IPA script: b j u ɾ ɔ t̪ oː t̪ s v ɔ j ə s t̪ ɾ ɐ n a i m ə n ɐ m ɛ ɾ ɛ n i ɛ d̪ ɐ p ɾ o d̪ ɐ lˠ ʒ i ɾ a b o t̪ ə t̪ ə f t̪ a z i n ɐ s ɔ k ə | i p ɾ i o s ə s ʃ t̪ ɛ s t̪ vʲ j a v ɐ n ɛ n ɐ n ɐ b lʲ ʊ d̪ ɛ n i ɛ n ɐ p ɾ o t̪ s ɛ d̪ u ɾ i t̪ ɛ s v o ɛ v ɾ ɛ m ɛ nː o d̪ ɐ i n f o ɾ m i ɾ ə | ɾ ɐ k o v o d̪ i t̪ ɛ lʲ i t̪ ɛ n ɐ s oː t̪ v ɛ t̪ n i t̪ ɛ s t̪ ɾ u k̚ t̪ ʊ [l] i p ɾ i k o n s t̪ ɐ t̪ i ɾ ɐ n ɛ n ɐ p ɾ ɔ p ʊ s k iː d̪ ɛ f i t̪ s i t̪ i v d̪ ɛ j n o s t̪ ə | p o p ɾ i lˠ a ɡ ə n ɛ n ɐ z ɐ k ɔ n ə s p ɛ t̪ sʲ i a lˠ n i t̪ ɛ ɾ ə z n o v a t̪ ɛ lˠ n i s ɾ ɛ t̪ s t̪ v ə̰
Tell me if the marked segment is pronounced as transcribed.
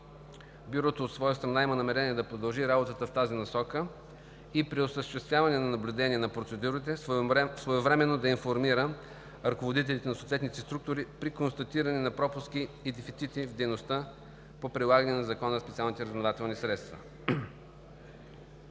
no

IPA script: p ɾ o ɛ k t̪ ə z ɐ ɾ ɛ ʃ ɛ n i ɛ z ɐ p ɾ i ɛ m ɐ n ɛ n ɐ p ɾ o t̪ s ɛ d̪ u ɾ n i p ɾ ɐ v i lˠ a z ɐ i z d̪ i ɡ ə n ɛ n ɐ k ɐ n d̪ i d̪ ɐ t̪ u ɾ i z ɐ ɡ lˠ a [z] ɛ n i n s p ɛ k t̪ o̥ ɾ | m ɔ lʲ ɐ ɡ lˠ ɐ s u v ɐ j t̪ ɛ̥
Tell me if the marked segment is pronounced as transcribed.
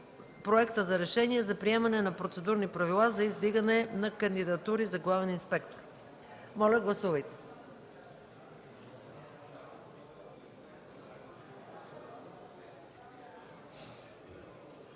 no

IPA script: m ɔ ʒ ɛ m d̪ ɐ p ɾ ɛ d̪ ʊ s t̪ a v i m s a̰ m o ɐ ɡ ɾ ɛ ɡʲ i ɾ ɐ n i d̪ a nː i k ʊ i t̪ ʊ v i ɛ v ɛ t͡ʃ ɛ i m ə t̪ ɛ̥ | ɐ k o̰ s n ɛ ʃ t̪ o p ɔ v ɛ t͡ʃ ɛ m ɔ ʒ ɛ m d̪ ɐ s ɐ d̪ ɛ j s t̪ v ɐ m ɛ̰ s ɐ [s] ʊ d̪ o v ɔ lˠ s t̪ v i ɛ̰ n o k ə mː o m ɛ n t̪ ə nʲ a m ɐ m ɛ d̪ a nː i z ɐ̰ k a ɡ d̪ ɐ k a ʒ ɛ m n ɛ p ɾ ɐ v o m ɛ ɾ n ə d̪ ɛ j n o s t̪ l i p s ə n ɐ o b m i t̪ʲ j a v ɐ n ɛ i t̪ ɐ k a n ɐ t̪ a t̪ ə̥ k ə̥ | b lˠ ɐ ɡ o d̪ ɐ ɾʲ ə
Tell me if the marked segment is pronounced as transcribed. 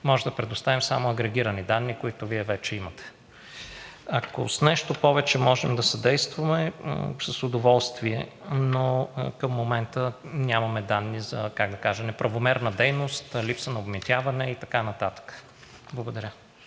yes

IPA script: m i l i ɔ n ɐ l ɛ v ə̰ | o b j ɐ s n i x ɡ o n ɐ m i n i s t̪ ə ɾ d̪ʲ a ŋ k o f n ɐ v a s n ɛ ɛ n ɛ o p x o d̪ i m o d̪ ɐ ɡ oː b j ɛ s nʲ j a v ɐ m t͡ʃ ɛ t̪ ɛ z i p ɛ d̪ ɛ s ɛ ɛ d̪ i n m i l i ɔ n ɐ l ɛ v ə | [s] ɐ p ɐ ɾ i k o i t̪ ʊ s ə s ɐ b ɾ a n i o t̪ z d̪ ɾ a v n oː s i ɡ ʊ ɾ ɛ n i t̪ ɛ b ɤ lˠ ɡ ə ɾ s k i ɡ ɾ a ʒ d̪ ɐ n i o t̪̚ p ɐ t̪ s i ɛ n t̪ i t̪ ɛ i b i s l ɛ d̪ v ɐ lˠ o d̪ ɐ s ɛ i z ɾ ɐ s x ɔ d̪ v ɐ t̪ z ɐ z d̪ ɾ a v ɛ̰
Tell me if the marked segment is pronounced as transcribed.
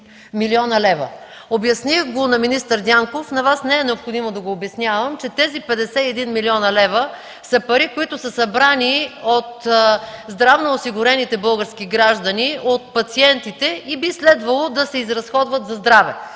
yes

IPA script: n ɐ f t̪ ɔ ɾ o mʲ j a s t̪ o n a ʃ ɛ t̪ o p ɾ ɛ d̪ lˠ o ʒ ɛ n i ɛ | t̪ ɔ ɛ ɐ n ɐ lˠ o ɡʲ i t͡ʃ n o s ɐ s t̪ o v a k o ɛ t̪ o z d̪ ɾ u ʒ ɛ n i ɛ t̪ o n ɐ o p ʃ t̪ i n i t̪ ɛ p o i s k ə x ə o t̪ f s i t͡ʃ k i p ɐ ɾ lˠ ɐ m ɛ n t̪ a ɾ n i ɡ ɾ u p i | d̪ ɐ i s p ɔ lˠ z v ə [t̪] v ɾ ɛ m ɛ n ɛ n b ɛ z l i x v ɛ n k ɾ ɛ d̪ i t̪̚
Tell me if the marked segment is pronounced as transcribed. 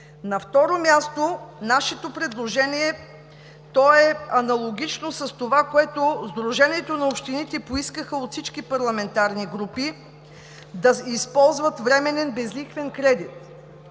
yes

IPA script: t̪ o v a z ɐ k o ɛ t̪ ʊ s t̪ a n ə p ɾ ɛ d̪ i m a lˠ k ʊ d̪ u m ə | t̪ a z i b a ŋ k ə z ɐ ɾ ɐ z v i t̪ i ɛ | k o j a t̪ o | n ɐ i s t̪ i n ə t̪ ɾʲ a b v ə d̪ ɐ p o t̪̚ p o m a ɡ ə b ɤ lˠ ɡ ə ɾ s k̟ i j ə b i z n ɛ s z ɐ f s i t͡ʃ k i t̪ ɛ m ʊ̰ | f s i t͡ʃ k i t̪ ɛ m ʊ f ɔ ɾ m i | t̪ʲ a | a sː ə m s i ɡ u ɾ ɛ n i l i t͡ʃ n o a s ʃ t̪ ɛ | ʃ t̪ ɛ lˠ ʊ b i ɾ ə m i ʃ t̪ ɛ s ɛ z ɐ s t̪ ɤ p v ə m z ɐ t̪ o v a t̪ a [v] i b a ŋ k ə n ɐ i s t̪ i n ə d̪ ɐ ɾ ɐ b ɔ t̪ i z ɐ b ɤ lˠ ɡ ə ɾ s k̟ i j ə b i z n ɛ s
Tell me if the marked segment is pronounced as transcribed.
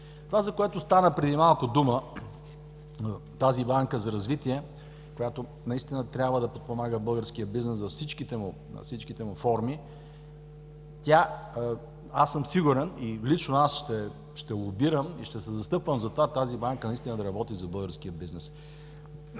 no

